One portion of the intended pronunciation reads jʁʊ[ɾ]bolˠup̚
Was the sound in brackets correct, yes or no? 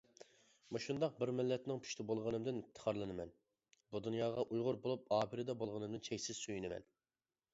yes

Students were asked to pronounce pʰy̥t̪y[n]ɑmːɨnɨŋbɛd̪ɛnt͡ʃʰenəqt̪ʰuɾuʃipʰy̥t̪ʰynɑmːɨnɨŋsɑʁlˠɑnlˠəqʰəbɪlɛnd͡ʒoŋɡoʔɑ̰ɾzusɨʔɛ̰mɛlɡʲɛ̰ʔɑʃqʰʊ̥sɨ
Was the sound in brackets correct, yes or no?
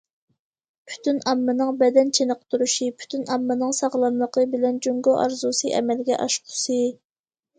yes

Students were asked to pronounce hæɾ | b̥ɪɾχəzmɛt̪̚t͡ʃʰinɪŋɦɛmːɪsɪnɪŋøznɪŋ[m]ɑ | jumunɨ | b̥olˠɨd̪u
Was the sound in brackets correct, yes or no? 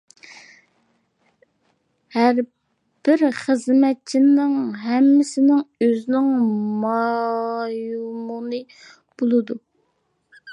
yes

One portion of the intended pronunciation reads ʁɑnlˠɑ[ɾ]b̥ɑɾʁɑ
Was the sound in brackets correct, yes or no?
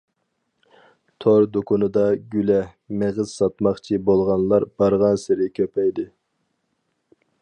yes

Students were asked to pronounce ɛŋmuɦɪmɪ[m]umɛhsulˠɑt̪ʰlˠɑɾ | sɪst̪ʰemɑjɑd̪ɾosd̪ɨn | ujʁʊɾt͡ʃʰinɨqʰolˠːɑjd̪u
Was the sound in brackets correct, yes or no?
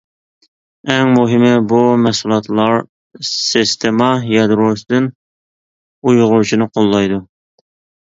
no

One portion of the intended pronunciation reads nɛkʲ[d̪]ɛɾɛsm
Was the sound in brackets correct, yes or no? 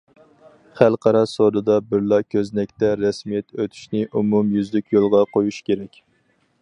no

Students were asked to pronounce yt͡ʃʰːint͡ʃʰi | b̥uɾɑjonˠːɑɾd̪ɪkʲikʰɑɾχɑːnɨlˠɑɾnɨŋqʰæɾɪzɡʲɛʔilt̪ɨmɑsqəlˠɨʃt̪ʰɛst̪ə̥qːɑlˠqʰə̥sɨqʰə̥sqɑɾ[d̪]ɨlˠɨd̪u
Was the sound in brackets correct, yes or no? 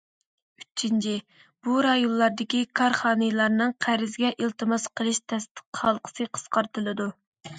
no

